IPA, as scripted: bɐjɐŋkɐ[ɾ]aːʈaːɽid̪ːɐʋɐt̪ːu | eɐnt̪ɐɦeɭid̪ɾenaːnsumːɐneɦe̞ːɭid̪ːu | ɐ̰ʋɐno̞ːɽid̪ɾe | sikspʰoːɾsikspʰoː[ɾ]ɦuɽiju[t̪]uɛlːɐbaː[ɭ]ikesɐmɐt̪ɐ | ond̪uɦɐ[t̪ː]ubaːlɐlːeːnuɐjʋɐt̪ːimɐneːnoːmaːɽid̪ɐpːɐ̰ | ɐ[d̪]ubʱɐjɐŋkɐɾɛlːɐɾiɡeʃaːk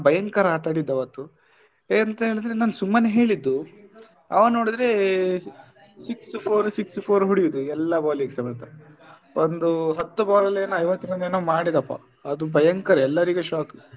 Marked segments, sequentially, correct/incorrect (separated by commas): correct, correct, incorrect, incorrect, correct, correct